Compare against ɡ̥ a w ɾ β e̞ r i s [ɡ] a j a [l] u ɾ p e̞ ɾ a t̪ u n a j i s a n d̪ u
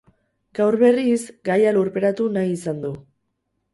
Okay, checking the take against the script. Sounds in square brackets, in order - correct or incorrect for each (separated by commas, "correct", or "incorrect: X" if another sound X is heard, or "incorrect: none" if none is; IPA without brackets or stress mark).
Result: correct, correct